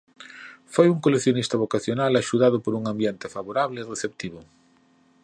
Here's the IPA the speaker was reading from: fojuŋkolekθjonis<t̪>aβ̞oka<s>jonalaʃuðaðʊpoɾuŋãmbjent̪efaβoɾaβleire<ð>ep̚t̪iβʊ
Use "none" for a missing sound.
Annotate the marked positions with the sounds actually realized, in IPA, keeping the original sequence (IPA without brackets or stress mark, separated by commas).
t̪, θ, θ